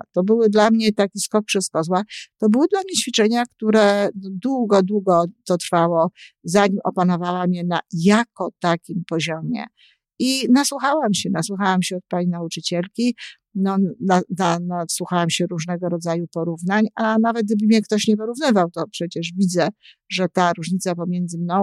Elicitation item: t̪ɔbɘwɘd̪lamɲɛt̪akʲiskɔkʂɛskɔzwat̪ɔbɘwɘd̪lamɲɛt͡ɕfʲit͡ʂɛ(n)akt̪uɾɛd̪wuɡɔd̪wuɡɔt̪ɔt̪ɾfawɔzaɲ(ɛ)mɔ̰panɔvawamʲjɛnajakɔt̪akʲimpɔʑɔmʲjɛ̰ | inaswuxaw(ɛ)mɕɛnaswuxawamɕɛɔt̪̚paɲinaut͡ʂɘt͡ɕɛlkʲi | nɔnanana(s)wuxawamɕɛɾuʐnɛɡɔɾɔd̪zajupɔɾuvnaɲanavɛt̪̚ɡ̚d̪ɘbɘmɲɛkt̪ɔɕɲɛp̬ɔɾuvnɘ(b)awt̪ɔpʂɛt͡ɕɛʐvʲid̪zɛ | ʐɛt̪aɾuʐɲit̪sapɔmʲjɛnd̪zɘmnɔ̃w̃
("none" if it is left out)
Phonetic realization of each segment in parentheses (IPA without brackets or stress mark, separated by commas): ɲ, i, a, s, v